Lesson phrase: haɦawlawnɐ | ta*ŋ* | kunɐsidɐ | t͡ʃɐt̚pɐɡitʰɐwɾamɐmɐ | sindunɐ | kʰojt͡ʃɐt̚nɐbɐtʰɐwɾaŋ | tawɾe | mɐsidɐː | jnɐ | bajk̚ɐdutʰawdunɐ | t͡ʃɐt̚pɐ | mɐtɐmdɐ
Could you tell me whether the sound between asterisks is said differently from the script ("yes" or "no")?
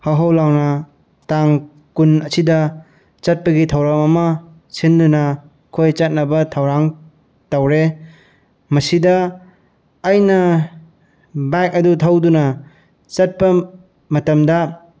no